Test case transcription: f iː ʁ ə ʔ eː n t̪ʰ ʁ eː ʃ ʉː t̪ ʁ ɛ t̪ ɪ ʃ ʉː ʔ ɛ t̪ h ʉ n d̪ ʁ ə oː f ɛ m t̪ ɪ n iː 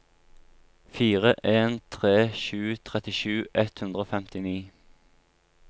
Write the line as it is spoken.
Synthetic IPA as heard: f iː ʁ ə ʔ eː n t̪ʰ ʁ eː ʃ ʉː t̪ʰ ʁ ɛ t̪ ɪ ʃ ʉː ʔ ɛ t̪ h ʉ n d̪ ʁ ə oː f ɛ m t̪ ɪ n iː